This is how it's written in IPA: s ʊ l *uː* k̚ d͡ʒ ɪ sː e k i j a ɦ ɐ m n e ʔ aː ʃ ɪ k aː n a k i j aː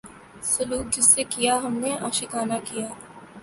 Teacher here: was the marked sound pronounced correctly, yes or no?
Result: yes